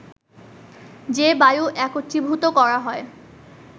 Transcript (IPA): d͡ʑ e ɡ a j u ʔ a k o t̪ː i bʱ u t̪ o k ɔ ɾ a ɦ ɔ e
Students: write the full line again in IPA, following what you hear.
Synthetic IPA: d͡ʑ e b a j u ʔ ɛ k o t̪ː i bʱ u t̪ o k ɔ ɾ a ɦ ɔ e